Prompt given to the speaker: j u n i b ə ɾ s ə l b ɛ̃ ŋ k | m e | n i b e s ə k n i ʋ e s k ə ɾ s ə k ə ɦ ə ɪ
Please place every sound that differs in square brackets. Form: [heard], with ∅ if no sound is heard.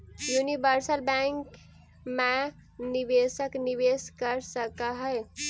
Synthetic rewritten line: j u n i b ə ɾ s ə l b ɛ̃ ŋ k | m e | n i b e s ə k n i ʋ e s k ə ɾ s ə k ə ɦ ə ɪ